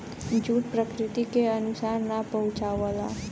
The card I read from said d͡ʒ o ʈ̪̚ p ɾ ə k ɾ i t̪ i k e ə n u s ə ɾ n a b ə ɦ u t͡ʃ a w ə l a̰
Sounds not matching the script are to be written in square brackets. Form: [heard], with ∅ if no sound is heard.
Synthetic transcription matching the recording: d͡ʒ [u] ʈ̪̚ p ɾ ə k ɾ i t̪ i k e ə n u s [a] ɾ n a [p] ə ɦ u t͡ʃ a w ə l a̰